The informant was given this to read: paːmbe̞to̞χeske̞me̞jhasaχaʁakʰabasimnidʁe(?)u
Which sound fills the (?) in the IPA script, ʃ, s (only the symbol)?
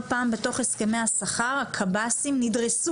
s